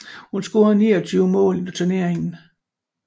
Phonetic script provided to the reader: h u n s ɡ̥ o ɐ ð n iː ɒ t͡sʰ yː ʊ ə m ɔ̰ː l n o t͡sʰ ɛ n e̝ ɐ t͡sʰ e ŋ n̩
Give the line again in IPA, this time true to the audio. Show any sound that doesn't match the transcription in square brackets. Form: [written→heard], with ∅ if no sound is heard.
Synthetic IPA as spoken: h u n s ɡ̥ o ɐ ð n iː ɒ t͡sʰ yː ʊ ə m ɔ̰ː l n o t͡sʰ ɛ n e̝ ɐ [t͡sʰ→∅] e ŋ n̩